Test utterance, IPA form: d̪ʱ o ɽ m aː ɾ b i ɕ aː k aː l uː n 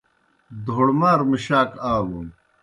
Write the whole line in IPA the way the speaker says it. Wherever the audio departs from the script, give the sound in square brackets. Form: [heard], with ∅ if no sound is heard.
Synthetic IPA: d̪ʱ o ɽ m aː ɾ [m] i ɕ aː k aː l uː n